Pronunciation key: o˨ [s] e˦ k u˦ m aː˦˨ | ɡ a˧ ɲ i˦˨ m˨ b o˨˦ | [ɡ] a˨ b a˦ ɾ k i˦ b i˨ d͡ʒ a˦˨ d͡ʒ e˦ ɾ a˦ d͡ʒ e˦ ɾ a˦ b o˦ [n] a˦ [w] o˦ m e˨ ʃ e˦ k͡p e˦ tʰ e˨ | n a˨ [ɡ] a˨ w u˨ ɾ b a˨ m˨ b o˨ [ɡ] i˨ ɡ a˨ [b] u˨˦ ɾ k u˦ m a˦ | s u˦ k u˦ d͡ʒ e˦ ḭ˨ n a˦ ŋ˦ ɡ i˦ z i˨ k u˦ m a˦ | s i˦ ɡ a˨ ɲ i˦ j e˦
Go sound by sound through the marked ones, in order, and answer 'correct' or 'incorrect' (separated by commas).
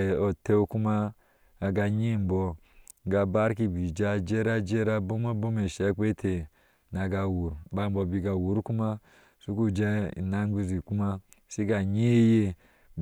incorrect, correct, incorrect, incorrect, correct, incorrect, incorrect